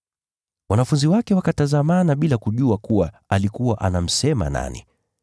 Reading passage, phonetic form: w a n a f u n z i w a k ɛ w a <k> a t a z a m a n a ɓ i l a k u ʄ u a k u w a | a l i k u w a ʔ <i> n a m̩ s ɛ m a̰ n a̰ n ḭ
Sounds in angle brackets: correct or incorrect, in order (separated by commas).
correct, incorrect